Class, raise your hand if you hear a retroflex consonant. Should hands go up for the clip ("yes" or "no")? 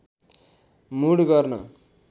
yes